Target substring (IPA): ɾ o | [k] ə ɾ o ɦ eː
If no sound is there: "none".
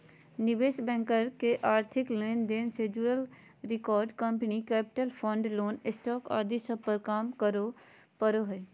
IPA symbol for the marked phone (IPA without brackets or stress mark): p